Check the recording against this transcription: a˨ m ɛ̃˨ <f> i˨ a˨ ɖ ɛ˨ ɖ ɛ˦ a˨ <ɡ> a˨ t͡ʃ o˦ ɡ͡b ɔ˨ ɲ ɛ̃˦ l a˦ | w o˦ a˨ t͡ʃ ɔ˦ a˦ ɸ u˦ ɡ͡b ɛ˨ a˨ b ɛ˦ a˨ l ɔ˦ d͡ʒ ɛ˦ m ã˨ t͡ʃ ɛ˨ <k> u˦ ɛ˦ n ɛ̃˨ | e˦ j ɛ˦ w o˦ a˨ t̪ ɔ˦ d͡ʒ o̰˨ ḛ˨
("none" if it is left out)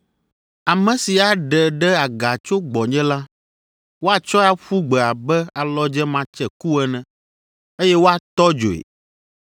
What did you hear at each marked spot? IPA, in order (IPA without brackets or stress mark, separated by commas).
s, ɡ, k